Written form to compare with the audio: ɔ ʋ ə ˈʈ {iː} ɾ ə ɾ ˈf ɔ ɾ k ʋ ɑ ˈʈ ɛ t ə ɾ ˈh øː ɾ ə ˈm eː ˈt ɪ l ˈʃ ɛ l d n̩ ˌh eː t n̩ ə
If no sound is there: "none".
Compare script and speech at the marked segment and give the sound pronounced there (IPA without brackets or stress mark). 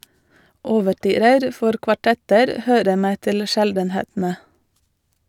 yː